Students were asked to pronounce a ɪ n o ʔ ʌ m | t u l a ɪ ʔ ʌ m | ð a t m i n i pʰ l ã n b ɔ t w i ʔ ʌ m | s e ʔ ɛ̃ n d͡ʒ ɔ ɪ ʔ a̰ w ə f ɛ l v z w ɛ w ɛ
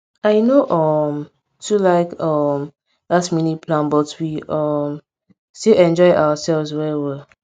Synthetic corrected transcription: a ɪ n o ʔ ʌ m | t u l a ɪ k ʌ m | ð a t m i n i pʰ l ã n b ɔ t w i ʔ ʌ m | s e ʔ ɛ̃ n d͡ʒ ɔ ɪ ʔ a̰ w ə s ɛ l v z w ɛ w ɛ